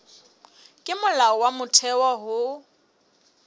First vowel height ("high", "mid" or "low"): high